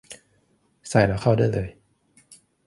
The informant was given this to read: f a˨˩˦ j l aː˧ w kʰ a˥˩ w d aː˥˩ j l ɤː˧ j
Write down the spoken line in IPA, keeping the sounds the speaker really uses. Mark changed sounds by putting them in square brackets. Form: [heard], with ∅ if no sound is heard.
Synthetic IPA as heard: [s] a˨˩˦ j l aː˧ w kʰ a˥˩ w d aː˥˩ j l ɤː˧ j